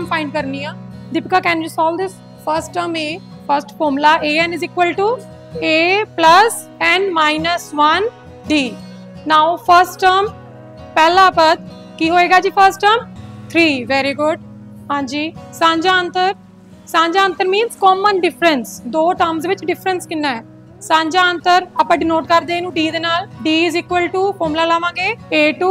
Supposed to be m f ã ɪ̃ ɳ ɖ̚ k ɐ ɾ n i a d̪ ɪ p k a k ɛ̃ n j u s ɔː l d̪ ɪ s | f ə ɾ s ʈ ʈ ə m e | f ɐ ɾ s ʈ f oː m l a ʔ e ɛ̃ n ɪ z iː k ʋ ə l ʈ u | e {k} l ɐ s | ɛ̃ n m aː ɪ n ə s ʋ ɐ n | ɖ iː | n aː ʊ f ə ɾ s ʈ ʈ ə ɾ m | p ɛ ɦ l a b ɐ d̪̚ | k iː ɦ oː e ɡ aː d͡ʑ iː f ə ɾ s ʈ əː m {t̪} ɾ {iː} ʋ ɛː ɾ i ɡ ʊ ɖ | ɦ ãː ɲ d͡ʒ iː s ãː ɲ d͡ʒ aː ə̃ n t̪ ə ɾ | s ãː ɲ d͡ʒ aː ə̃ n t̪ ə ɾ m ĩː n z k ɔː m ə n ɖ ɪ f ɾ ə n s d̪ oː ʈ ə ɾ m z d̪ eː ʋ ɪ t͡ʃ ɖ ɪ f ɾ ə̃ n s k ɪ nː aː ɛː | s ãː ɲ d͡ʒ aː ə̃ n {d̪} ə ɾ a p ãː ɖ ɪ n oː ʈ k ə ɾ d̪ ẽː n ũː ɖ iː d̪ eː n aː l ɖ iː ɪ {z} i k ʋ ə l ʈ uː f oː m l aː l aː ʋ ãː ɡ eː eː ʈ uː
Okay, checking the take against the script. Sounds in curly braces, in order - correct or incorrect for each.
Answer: incorrect: p, incorrect: t̪ʰ, correct, incorrect: t̪, correct

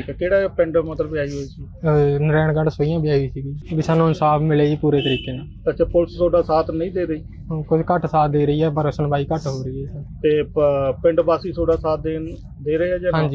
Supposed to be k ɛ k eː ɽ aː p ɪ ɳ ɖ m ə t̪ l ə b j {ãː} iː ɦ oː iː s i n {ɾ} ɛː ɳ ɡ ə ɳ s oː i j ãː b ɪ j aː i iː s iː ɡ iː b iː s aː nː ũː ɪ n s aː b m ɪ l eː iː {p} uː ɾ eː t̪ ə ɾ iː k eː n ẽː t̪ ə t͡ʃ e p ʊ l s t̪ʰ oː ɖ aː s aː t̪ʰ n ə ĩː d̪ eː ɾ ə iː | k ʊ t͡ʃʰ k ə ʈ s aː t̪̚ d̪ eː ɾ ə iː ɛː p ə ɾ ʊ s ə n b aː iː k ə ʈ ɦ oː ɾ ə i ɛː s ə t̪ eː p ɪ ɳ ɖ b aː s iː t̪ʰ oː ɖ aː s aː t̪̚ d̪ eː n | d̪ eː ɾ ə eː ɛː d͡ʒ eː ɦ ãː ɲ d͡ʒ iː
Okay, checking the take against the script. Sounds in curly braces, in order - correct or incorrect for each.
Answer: incorrect: aː, correct, correct

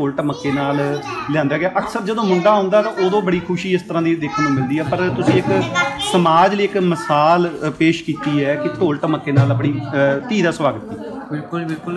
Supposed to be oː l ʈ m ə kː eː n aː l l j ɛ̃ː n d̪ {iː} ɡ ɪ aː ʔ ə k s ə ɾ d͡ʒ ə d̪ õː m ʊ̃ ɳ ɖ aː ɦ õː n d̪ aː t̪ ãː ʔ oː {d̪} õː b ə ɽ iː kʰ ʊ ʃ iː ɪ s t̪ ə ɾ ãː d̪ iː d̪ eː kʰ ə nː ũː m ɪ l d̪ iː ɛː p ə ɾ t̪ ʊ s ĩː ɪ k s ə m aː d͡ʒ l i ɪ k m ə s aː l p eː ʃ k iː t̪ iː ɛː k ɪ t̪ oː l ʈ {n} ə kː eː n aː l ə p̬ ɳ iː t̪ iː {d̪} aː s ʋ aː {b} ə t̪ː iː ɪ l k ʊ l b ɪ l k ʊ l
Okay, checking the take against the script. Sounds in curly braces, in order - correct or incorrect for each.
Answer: incorrect: aː, correct, incorrect: m, correct, incorrect: ɡ

